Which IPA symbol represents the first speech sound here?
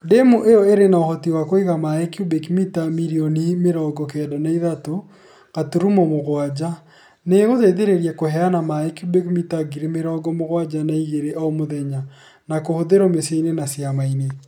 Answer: d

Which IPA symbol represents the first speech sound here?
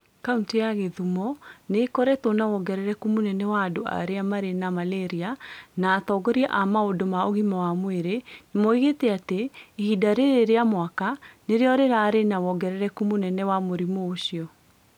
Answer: k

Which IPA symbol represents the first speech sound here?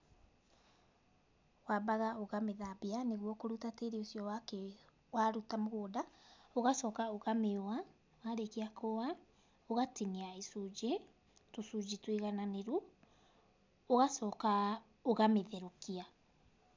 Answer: w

